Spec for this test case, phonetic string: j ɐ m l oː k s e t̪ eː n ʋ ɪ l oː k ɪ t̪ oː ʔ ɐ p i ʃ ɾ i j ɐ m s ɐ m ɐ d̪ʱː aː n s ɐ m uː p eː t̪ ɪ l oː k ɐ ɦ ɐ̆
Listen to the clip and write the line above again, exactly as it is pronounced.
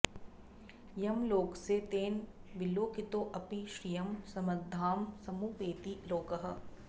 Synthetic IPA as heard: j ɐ m l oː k s e t̪ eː n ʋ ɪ l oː k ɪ t̪ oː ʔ ɐ p i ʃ ɾ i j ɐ m s ɐ m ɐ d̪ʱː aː m s ɐ m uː p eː t̪ i l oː k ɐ ɦ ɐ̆